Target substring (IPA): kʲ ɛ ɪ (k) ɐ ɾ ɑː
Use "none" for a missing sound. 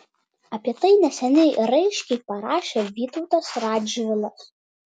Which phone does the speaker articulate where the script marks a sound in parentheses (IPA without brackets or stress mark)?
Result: p